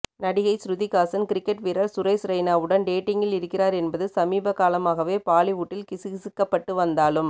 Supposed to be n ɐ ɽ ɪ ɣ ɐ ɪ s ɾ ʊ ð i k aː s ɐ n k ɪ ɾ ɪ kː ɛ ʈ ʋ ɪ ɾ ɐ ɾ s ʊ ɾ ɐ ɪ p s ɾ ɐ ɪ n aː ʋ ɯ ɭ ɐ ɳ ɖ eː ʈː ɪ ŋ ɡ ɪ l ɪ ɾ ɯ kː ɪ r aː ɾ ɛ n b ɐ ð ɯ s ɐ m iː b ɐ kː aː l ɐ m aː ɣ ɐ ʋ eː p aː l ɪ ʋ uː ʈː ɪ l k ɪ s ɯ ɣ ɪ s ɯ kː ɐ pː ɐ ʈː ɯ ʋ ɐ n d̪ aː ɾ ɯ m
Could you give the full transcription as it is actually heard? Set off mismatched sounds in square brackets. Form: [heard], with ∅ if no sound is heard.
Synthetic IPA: n ɐ ɽ ɪ ɣ ɐ ɪ s ɾ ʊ ð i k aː s ɐ n k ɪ ɾ ɪ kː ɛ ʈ ʋ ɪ ɾ ɐ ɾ s ʊ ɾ ɐ ɪ [∅] s ɾ ɐ ɪ n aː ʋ ɯ [ɽ] ɐ [n] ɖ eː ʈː ɪ ŋ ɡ ɪ l ɪ ɾ ɯ kː ɪ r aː ɾ ɛ n b ɐ ð ɯ s ɐ m iː b ɐ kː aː l ɐ m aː ɣ ɐ ʋ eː p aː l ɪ ʋ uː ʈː ɪ l k ɪ s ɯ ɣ ɪ s ɯ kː ɐ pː ɐ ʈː ɯ ʋ ɐ n d̪ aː [l] ɯ m

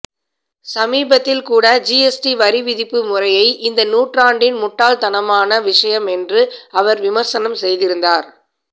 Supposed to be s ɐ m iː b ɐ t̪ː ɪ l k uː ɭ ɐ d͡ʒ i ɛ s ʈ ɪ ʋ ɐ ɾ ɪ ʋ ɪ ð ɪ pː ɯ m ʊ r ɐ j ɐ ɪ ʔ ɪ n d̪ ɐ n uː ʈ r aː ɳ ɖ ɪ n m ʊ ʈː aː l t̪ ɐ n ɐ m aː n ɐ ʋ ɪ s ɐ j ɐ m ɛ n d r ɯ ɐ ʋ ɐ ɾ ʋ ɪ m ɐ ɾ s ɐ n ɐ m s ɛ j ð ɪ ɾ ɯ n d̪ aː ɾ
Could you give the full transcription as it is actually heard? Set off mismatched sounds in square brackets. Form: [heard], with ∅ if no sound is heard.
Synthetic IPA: s ɐ m iː b ɐ t̪ː ɪ l k uː [ɽ] ɐ d͡ʒ i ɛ s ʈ [i] ʋ ɐ ɾ ɪ ʋ ɪ ð ɪ pː ɯ m ʊ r ɐ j ɐ ɪ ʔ ɪ n d̪ ɐ n uː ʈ r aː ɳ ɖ ɪ n m ʊ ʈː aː l t̪ ɐ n ɐ m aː n ɐ ʋ ɪ [ʂ] ɐ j ɐ m ɛ n d r ɯ ɐ ʋ ɐ ɾ ʋ ɪ m ɐ ɾ s ɐ n ɐ m s ɛ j ð ɪ ɾ ɯ n d̪ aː ɾ

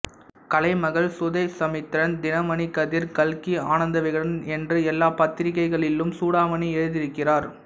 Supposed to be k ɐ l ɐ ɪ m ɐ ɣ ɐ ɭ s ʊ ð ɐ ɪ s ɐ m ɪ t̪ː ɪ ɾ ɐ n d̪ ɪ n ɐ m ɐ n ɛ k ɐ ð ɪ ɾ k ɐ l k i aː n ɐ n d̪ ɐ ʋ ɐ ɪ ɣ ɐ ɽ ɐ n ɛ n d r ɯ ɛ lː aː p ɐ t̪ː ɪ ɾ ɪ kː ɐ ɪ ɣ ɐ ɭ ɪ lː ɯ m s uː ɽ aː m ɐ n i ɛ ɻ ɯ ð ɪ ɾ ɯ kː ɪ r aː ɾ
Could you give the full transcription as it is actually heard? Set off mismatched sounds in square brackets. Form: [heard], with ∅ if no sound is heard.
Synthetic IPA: k ɐ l ɐ ɪ m ɐ ɣ ɐ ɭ s ʊ ð ɐ ɪ s ɐ m ɪ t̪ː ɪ ɾ ɐ n d̪ ɪ n ɐ m ɐ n [i] k ɐ ð ɪ ɾ k ɐ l k i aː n ɐ n d̪ ɐ ʋ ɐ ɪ ɣ ɐ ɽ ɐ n ɛ n d r ɯ ɛ lː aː p ɐ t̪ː ɪ ɾ ɪ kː ɐ ɪ ɣ ɐ ɭ ɪ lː ɯ m s uː ɽ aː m ɐ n i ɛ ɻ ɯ ð ɪ ɾ ɯ kː ɪ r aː ɾ

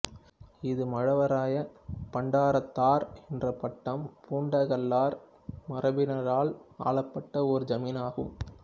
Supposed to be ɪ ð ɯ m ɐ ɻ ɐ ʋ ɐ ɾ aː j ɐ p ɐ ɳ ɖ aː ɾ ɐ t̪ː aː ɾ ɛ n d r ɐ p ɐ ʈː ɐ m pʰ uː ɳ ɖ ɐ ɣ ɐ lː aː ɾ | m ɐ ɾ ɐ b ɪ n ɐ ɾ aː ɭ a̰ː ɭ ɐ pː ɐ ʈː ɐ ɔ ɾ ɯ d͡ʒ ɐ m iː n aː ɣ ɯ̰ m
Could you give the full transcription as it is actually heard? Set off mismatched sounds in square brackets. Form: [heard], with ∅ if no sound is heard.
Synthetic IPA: ɪ ð ɯ m ɐ ɻ ɐ ʋ ɐ ɾ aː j ɐ p ɐ ɳ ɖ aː ɾ ɐ t̪ː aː ɾ ɛ n d r ɐ p ɐ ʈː ɐ m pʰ uː ɳ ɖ ɐ ɣ ɐ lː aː ɾ | m ɐ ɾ ɐ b ɪ n ɐ ɾ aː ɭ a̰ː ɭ ɐ pː ɐ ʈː ɐ ɔ ɾ ɯ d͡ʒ ɐ m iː n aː ɣ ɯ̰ m

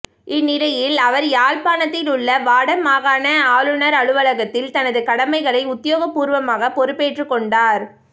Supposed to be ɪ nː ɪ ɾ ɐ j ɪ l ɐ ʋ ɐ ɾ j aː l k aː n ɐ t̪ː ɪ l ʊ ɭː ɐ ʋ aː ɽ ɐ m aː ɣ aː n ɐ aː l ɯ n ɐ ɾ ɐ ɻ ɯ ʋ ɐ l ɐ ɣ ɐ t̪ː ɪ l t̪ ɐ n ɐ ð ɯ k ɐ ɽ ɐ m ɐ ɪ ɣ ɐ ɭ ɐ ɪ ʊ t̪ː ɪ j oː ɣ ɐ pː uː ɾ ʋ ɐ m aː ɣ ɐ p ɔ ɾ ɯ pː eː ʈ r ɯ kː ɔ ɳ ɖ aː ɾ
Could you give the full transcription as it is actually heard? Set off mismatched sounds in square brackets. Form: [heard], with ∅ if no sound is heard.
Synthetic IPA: ɪ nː ɪ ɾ ɐ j ɪ l ɐ ʋ ɐ ɾ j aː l [p] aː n ɐ t̪ː ɪ l ʊ ɭː ɐ ʋ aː ɽ ɐ m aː ɣ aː n ɐ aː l ɯ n ɐ ɾ ɐ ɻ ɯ ʋ ɐ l ɐ ɣ ɐ t̪ː ɪ l t̪ ɐ n ɐ ð ɯ k ɐ ɽ ɐ m ɐ ɪ ɣ ɐ ɭ ɐ ɪ ʊ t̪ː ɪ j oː ɣ ɐ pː uː ɾ ʋ ɐ m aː ɣ ɐ p ɔ ɾ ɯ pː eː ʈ r ɯ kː ɔ ɳ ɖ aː ɾ

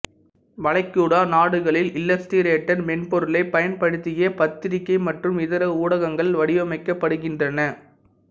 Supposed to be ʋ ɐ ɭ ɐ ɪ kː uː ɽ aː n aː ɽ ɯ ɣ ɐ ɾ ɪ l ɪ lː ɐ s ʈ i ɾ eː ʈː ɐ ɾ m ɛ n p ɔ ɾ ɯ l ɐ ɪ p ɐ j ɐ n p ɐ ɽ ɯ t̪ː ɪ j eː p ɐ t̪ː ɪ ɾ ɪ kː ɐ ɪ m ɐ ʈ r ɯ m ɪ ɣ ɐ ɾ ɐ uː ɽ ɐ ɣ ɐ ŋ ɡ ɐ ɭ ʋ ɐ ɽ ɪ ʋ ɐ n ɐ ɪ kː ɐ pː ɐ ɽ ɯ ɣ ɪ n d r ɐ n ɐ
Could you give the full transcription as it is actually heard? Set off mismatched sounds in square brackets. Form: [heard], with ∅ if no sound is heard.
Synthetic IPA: ʋ ɐ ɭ ɐ ɪ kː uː ɽ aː n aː ɽ ɯ ɣ ɐ [ɭ] ɪ l ɪ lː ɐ s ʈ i ɾ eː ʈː ɐ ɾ m ɛ n p ɔ ɾ ɯ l ɐ ɪ p ɐ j ɐ n p ɐ ɽ ɯ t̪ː ɪ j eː p ɐ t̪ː ɪ ɾ ɪ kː ɐ ɪ m ɐ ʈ r ɯ m ɪ [ð] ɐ ɾ ɐ uː ɽ ɐ ɣ ɐ ŋ ɡ ɐ ɭ ʋ ɐ ɽ ɪ ʋ ɐ [m] ɐ ɪ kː ɐ pː ɐ ɽ ɯ ɣ ɪ n d r ɐ n ɐ

